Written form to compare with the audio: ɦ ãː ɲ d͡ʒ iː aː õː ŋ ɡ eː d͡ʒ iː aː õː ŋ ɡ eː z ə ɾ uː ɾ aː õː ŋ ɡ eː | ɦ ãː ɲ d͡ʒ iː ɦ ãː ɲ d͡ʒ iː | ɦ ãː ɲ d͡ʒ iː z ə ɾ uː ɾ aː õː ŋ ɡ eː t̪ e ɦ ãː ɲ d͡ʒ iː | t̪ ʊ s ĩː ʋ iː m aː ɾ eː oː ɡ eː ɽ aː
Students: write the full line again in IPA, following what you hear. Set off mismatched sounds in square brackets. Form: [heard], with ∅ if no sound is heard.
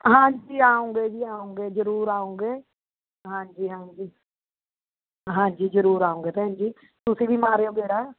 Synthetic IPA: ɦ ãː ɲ d͡ʒ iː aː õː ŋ ɡ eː d͡ʒ iː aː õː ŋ ɡ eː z ə ɾ uː ɾ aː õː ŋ ɡ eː | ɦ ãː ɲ d͡ʒ iː ɦ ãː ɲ d͡ʒ iː | ɦ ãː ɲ d͡ʒ iː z ə ɾ uː ɾ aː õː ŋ ɡ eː t̪ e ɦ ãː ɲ d͡ʒ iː | t̪ ʊ s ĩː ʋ iː m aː ɾ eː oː ɡ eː ɽ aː